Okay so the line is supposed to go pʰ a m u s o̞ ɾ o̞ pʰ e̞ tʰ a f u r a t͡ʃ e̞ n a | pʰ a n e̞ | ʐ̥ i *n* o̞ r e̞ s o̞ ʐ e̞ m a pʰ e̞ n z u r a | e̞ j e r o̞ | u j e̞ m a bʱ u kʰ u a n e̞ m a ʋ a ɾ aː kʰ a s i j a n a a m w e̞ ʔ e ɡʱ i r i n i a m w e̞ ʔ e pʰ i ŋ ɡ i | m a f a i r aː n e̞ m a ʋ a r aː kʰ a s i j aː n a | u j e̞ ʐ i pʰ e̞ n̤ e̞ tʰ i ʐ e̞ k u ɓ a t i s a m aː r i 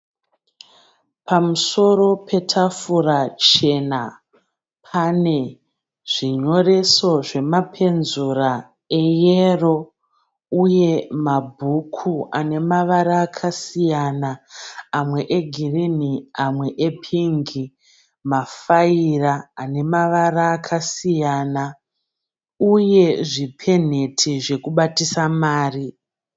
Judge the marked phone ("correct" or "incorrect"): incorrect